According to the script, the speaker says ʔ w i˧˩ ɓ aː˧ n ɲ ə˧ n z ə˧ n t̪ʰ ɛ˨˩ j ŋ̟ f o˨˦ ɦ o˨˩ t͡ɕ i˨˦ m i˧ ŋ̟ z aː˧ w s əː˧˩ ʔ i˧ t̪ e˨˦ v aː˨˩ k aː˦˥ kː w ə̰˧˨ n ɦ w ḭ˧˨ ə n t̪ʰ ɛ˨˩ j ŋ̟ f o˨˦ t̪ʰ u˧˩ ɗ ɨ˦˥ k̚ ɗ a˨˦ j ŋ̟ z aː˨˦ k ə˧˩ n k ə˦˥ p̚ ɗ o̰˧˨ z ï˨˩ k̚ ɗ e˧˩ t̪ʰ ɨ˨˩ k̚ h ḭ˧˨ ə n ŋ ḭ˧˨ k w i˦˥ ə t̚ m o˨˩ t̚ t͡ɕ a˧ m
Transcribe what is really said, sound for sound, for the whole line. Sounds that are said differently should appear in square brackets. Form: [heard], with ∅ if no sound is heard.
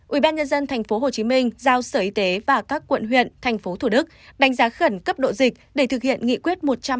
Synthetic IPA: ʔ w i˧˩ ɓ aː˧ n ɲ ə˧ n z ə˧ n t̪ʰ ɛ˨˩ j ŋ̟ f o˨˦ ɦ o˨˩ t͡ɕ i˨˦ m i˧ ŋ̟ z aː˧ w s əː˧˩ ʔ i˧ t̪ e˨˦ v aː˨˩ k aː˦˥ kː w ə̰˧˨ n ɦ w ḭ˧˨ ə n t̪ʰ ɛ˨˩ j ŋ̟ f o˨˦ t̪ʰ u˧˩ ɗ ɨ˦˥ k̚ ɗ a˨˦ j ŋ̟ z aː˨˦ [x] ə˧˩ n k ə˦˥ p̚ ɗ o̰˧˨ z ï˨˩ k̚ ɗ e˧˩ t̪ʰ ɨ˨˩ k̚ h ḭ˧˨ ə n ŋ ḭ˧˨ k w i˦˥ ə t̚ m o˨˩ t̚ t͡ɕ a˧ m